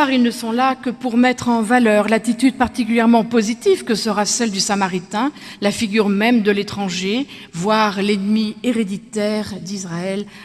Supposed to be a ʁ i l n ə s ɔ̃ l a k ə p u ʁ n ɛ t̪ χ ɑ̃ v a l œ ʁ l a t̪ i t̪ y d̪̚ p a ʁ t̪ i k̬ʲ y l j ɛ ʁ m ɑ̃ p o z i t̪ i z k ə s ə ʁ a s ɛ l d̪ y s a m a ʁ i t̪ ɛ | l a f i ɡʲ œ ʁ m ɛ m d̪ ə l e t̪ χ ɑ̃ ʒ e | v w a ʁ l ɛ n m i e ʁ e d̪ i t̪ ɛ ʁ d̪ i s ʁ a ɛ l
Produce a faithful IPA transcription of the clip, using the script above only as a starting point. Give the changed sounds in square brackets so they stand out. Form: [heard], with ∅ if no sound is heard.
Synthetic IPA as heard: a ʁ i l n ə s ɔ̃ l a k ə p u ʁ [m] ɛ t̪ χ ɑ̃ v a l œ ʁ l a t̪ i t̪ y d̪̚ p a ʁ t̪ i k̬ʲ y l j ɛ ʁ m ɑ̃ p o z i t̪ i [v] k ə s ə ʁ a s ɛ l d̪ y s a m a ʁ i t̪ [ɛ̃] | l a f i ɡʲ [y] ʁ m ɛ m d̪ ə l e t̪ χ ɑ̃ ʒ e | v w a ʁ l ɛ n m i e ʁ e d̪ i t̪ ɛ ʁ d̪ i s ʁ a ɛ l